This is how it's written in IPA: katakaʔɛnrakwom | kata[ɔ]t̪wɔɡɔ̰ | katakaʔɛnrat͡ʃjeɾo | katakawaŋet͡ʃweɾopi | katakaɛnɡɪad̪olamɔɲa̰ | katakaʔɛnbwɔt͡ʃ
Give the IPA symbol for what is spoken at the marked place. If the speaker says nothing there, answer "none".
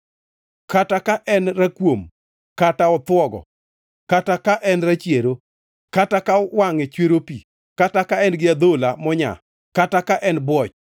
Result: ɔ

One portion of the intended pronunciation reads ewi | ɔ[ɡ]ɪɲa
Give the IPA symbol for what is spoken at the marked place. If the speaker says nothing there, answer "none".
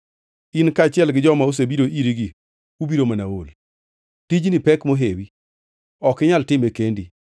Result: k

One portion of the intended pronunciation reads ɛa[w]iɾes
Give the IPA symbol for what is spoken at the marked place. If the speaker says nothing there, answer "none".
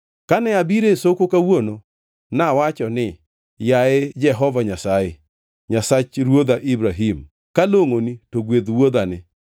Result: b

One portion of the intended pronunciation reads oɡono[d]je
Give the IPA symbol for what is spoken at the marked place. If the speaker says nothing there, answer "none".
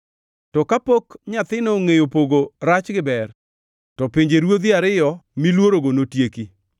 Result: t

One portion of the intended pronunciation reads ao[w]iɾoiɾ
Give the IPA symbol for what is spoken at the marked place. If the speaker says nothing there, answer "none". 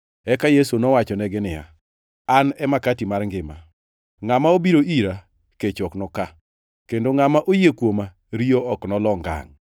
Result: b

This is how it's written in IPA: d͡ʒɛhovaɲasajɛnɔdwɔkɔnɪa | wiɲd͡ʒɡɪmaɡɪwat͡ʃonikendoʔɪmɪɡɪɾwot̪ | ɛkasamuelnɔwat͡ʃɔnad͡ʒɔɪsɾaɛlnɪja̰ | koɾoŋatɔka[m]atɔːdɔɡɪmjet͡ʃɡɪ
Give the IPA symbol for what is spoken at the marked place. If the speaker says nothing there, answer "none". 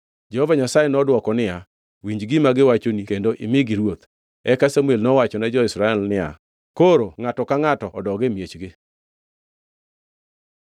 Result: ŋ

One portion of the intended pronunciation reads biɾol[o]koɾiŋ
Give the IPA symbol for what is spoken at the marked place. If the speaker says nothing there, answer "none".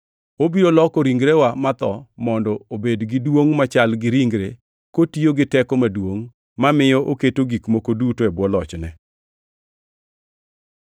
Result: ɔ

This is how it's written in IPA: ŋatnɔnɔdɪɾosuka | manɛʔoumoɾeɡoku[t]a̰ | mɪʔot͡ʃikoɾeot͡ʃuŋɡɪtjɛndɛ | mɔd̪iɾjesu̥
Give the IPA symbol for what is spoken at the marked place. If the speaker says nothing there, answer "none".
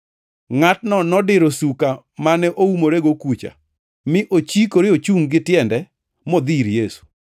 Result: t͡ʃ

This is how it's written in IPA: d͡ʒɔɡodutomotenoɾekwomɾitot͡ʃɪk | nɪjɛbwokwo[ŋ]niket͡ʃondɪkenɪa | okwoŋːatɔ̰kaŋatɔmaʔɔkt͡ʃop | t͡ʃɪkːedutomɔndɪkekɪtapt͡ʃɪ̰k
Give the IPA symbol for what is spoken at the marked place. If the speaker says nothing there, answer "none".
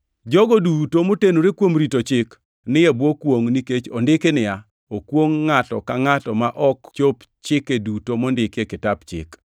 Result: ŋ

